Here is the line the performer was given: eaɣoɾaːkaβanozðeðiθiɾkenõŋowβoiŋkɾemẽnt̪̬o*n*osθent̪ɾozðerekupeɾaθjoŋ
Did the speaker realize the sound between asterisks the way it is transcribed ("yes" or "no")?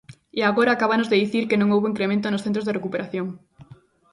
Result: yes